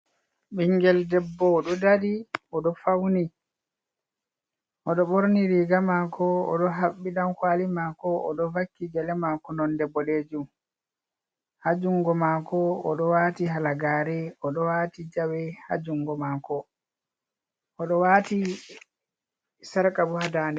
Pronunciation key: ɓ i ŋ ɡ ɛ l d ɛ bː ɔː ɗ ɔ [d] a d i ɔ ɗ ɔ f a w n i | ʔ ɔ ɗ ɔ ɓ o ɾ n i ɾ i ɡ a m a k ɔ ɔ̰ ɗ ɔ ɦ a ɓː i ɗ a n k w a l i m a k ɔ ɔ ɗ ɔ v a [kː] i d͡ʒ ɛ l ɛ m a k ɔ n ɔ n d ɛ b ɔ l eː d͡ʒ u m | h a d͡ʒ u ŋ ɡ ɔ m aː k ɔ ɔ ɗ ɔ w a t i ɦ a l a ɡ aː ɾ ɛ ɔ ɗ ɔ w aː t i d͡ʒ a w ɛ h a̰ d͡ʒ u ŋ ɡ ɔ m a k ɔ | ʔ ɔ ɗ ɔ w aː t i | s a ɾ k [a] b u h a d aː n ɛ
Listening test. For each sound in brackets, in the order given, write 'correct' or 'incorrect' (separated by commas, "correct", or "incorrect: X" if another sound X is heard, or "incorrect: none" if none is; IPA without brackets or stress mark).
correct, correct, correct